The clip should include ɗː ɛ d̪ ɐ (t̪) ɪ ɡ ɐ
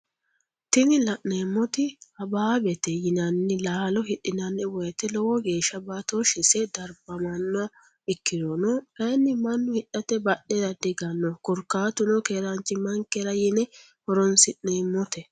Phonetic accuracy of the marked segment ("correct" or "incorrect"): incorrect